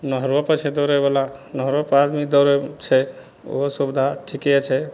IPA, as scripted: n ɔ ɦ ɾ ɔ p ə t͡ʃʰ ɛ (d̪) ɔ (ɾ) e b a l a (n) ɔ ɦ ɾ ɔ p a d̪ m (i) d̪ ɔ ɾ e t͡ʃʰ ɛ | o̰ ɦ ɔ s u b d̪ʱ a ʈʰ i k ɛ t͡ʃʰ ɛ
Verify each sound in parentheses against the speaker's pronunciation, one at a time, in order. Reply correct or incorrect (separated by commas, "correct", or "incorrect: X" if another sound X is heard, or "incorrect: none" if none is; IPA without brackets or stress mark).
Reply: correct, correct, correct, correct